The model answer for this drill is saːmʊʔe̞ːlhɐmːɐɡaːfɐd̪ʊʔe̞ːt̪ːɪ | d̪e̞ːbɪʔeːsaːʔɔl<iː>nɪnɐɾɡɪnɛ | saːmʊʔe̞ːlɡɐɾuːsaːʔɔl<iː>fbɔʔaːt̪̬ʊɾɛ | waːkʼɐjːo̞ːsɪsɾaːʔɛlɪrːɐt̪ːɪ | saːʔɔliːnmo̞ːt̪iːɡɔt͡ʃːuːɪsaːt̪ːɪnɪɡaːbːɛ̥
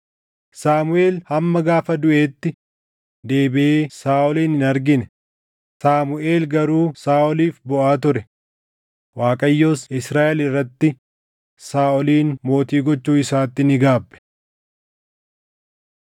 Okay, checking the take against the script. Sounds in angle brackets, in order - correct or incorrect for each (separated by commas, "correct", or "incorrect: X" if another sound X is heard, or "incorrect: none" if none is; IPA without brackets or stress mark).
correct, correct